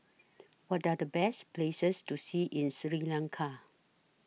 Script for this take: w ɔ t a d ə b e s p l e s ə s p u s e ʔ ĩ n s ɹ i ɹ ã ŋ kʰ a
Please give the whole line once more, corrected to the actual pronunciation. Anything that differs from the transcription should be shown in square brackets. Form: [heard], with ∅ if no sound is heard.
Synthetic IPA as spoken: w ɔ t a d ə b [ɛ] s p l e s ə s [t] u s [i] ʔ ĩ n s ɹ i [l] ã ŋ kʰ a